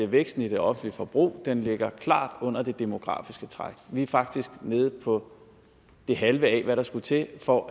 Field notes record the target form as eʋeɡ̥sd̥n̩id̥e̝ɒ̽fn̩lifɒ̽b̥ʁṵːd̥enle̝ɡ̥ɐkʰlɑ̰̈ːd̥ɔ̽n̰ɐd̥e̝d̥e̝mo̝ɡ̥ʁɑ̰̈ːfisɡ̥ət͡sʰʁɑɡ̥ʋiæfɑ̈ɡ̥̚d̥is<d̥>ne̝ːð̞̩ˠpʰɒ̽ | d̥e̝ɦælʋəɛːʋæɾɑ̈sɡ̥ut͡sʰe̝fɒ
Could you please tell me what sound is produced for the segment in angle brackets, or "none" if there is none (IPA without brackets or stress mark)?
ɡ̥